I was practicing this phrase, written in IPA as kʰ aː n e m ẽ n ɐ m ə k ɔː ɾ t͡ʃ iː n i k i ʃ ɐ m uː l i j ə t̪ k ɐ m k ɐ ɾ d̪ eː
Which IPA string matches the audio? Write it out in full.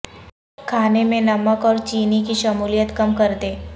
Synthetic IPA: kʰ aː n e m ẽ n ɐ m ə k ɔː ɾ t͡ʃ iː n i k i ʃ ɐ m uː l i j ə t̪ k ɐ m k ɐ ɾ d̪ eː